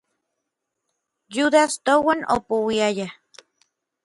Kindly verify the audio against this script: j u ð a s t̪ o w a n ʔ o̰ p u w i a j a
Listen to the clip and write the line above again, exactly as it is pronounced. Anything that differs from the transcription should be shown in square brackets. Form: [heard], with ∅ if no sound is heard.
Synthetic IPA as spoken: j u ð a s t̪ o w a n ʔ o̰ p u w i a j a